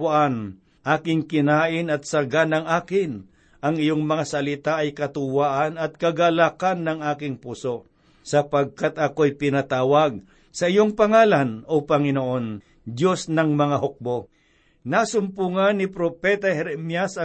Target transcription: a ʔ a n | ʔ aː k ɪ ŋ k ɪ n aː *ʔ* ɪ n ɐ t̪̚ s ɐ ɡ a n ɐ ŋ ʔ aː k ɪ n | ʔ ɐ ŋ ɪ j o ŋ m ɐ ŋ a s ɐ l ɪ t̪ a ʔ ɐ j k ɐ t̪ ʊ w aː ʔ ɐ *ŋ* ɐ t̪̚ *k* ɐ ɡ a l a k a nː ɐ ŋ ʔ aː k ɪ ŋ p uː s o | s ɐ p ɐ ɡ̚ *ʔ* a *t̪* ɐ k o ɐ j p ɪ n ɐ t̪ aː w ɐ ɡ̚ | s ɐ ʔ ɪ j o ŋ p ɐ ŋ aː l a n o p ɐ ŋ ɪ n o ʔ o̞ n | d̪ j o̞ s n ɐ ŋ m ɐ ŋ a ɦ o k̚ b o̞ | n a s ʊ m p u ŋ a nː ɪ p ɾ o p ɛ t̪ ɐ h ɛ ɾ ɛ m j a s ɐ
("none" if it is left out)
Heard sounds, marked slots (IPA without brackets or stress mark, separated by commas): ʔ, n, k, k, t̪